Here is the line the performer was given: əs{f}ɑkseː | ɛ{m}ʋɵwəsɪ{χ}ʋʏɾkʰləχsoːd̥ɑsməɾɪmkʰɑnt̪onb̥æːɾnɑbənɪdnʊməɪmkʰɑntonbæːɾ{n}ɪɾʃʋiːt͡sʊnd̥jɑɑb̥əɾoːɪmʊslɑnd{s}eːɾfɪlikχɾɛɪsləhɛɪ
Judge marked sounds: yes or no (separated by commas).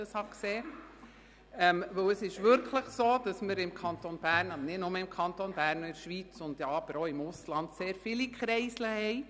no, yes, no, yes, yes